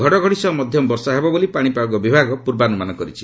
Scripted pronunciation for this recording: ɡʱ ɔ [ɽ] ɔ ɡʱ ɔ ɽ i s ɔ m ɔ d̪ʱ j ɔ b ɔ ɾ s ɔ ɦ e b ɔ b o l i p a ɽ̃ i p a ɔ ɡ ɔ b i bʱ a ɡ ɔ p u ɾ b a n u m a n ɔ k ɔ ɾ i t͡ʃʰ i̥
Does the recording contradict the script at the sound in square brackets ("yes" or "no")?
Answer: no